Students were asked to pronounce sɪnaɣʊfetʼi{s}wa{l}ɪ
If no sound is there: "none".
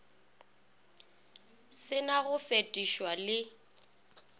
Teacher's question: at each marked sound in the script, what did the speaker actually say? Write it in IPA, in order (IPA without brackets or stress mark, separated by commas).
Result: ʃ, l